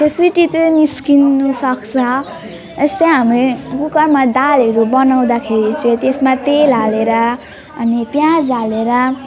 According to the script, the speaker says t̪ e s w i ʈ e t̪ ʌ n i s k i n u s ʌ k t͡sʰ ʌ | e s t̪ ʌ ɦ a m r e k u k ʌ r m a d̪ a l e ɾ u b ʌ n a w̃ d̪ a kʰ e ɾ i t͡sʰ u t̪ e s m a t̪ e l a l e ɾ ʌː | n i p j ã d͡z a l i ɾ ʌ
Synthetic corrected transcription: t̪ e s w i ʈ i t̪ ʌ n i s k i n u s ʌ k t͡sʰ ʌ | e s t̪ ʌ ɦ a m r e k u k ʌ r m a d̪ a l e ɾ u b ʌ n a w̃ d̪ a kʰ e ɾ i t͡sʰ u t̪ e s m a t̪ e l a l e ɾ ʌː | n i p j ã d͡z a l e ɾ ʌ